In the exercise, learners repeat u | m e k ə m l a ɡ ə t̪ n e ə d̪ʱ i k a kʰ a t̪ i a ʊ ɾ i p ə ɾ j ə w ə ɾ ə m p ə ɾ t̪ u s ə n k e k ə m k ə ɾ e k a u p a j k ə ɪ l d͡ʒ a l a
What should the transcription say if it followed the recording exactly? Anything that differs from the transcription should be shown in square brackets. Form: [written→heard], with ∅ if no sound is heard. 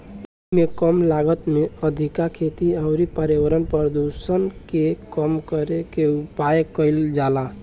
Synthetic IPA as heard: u | m e k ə m l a ɡ ə t̪ [n→m] e ə d̪ʱ i k a kʰ [a→e] t̪ i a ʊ ɾ i p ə ɾ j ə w ə ɾ ə [m→n] p ə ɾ [t̪→d̪] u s ə n k e k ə m k ə ɾ e k [a→e] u p a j k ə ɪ l d͡ʒ a l a